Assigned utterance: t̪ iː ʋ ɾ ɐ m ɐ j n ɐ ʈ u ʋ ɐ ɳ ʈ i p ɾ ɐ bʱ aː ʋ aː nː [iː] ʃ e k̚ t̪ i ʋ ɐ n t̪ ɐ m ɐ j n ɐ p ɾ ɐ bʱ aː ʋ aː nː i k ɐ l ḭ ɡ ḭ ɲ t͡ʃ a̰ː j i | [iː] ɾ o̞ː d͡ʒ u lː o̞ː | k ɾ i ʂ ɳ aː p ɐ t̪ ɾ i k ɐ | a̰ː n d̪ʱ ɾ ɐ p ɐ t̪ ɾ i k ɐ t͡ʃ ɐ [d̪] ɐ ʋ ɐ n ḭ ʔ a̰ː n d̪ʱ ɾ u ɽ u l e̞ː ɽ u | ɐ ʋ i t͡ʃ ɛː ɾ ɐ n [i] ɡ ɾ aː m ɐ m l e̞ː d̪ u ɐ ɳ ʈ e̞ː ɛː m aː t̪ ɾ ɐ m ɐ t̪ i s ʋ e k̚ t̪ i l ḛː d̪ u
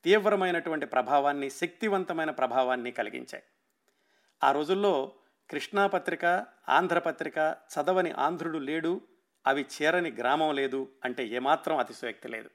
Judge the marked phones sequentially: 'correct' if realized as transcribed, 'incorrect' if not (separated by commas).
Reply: incorrect, incorrect, correct, correct